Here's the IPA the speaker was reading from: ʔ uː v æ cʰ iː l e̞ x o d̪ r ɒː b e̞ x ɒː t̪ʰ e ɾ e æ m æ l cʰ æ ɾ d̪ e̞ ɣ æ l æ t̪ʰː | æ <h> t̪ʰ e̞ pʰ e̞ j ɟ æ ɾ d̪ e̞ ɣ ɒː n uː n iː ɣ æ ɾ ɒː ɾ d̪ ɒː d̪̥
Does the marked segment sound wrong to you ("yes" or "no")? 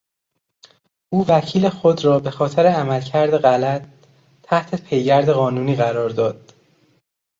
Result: no